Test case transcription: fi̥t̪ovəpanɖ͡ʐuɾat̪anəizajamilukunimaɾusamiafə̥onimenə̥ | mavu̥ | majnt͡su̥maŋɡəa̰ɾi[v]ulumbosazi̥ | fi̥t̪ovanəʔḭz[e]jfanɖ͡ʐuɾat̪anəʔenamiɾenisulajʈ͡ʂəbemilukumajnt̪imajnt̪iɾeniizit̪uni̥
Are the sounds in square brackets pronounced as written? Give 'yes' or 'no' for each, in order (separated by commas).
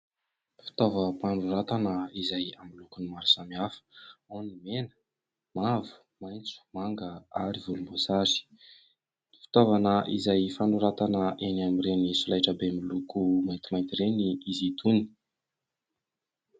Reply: yes, no